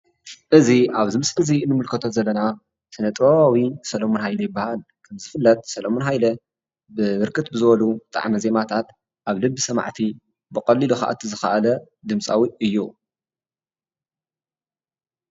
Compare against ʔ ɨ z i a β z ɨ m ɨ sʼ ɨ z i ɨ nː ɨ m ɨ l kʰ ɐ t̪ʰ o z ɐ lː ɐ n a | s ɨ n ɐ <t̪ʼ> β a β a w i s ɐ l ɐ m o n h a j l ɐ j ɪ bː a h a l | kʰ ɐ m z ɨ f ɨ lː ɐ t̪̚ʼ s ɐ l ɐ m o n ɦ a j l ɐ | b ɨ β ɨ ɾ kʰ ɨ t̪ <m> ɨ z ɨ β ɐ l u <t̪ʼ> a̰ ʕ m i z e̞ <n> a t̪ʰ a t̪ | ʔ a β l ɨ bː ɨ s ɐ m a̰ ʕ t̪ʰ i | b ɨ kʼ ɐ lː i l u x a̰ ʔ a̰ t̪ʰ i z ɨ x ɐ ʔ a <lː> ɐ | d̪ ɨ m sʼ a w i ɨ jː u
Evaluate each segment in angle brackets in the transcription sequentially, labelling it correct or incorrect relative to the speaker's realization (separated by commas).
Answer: correct, incorrect, correct, incorrect, incorrect